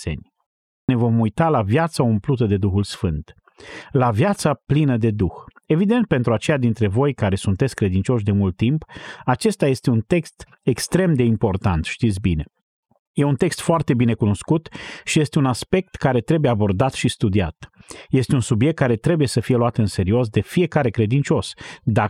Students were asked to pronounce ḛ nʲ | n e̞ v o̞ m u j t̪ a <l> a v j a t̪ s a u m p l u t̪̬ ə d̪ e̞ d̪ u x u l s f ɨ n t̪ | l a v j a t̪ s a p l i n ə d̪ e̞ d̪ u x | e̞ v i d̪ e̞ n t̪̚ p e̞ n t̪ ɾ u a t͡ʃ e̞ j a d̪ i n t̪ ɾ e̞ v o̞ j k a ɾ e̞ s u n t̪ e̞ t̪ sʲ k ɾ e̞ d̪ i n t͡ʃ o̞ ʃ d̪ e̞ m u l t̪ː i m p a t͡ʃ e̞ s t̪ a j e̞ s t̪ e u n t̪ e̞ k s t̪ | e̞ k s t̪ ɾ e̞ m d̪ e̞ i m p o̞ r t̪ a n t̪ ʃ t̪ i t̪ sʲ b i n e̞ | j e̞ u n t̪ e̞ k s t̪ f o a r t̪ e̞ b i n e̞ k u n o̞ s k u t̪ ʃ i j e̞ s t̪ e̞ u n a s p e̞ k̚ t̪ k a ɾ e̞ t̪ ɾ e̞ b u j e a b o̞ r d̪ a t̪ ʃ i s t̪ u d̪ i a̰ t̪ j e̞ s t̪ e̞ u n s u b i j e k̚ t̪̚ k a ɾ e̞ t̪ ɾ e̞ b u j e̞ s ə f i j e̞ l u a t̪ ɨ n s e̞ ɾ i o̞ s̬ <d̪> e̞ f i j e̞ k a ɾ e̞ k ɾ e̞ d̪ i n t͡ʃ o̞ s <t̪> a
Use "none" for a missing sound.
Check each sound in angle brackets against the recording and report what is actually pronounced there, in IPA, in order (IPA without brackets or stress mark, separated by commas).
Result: l, d̪, d̪